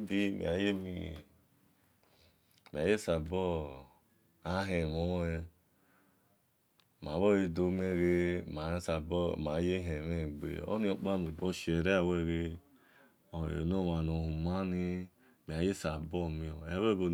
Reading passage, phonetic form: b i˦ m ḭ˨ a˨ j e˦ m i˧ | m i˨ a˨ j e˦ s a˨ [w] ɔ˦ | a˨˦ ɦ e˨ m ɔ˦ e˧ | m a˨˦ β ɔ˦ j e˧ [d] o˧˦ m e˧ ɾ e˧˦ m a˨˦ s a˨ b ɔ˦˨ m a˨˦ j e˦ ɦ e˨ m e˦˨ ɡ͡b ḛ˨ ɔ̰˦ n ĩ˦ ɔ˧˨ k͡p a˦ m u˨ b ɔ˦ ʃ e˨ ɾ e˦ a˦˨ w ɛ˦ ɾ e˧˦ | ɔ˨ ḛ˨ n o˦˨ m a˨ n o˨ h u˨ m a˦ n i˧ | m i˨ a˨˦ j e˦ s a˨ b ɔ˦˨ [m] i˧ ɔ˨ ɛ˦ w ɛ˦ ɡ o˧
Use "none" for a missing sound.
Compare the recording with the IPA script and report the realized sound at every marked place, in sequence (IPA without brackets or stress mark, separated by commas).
b, d, m